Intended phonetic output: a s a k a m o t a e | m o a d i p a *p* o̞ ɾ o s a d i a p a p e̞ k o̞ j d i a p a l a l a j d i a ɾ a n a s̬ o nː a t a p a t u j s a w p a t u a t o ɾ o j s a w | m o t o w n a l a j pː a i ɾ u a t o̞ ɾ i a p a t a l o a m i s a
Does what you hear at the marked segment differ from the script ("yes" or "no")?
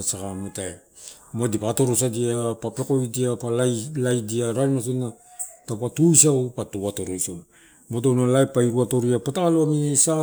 yes